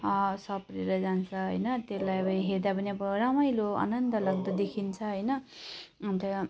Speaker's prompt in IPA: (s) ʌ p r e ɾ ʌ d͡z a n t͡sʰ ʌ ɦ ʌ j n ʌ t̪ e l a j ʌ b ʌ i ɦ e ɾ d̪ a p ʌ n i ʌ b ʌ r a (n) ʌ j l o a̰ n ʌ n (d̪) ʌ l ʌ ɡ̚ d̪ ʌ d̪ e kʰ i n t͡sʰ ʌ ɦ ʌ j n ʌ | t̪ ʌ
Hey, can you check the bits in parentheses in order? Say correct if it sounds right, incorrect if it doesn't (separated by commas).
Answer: correct, incorrect, correct